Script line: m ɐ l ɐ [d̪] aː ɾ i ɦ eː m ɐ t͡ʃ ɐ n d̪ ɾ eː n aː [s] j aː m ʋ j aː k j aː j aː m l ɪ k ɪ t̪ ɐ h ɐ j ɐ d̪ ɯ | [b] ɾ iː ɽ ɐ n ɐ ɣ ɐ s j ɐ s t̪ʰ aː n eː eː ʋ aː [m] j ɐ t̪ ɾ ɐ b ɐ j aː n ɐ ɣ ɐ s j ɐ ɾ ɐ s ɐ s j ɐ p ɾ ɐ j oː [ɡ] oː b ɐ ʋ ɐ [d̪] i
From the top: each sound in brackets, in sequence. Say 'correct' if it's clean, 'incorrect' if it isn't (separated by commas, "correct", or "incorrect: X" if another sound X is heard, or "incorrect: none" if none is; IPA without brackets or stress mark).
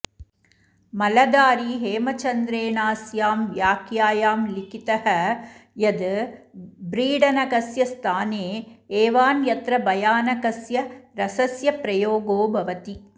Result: correct, correct, correct, incorrect: n, correct, incorrect: t̪